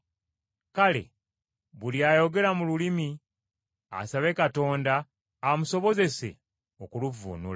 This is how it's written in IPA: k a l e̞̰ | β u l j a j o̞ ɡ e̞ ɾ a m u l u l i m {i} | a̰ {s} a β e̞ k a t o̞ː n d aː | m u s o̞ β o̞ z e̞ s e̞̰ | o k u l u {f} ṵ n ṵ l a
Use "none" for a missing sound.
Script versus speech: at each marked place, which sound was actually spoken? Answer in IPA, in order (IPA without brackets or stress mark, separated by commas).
i, s, v